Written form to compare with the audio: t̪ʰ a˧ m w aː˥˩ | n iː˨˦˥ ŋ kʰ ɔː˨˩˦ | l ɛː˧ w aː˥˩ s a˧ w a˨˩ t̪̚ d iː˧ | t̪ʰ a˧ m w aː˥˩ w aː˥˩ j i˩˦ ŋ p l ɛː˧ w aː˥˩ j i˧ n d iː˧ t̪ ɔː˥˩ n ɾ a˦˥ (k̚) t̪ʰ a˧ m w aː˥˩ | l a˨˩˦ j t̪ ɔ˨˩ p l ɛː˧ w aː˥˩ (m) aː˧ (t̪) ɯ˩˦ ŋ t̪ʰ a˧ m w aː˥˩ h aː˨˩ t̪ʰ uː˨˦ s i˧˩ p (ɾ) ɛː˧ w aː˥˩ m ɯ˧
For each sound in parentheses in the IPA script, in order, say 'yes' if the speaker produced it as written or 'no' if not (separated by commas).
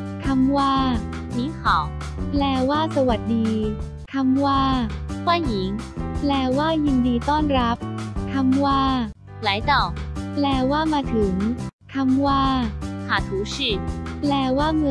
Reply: no, yes, no, no